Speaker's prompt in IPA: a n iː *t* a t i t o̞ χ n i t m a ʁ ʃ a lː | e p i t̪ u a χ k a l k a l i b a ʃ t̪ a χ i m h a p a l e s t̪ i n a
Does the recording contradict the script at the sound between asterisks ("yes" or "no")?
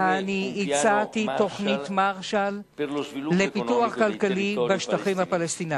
yes